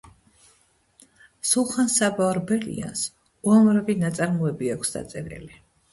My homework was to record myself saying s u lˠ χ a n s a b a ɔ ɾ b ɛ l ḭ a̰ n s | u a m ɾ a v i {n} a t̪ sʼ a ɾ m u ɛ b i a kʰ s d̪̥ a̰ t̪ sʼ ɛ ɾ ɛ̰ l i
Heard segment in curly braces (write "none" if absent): n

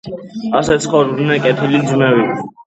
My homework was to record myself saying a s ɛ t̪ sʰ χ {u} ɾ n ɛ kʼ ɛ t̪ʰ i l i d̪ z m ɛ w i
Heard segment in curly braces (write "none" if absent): ɔ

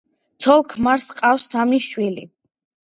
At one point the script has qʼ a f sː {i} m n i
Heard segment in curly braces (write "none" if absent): a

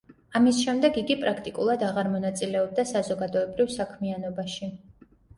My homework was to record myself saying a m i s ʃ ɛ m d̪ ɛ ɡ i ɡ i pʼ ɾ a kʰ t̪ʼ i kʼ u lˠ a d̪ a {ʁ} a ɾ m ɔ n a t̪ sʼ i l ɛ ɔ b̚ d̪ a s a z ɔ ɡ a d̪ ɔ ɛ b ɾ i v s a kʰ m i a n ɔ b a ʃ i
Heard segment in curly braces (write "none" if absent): ʁ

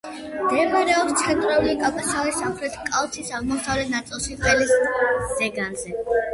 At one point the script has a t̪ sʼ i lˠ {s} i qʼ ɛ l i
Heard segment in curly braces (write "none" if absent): ʃ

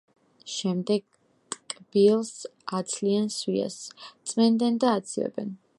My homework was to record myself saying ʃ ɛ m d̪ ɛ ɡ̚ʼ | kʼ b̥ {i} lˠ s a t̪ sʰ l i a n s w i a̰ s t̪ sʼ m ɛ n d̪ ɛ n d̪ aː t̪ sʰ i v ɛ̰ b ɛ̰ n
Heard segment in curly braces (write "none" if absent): i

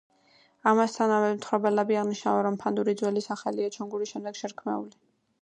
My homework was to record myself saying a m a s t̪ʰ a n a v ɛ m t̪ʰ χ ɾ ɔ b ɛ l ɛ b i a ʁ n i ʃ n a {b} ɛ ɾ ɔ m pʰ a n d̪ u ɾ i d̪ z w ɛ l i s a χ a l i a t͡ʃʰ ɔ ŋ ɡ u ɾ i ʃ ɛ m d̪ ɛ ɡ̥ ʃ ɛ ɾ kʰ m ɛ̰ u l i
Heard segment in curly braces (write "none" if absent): v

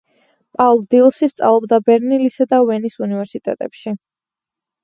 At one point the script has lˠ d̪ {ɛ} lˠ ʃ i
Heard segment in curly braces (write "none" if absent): i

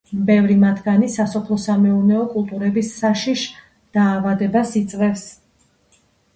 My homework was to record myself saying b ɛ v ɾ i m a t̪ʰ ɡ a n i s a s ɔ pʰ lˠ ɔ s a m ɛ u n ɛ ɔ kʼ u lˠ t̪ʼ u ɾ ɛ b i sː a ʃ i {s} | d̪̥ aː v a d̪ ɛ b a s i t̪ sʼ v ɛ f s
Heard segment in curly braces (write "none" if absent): ʃ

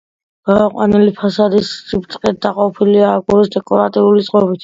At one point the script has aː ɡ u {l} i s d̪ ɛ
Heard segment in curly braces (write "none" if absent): ɾ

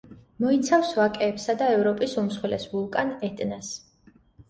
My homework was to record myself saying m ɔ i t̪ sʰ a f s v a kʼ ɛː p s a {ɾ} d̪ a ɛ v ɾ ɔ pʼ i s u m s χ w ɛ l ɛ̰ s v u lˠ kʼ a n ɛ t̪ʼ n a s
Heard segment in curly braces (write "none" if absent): none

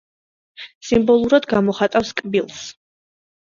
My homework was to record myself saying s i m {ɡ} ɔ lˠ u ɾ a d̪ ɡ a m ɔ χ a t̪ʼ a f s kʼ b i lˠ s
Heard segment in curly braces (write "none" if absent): b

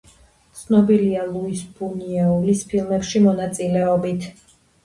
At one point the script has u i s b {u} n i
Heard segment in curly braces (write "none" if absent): u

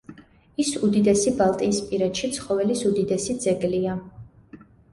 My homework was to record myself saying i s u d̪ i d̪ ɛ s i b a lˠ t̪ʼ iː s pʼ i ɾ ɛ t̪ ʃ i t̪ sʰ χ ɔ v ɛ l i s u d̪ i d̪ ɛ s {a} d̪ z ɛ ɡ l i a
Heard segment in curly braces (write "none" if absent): i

